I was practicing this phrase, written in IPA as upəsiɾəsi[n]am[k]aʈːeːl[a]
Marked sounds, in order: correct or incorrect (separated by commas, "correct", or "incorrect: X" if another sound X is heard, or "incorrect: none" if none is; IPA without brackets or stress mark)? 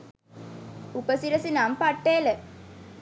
correct, incorrect: p, incorrect: ə